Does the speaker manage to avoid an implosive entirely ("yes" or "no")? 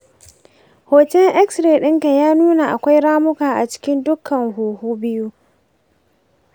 no